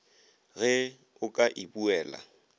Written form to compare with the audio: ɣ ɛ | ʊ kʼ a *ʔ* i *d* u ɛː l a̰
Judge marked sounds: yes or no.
yes, no

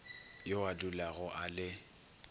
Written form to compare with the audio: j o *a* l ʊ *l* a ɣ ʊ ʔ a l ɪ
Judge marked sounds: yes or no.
yes, yes

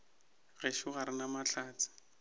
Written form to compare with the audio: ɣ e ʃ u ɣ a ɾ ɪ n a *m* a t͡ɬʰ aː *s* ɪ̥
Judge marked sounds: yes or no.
yes, no

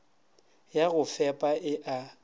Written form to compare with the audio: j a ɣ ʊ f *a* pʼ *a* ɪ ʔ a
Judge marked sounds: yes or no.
no, yes

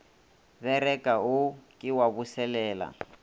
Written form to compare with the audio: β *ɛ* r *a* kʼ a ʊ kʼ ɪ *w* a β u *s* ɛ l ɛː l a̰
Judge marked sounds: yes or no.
yes, no, yes, yes

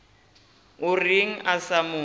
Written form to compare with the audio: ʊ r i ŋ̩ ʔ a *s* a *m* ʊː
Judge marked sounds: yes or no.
yes, yes

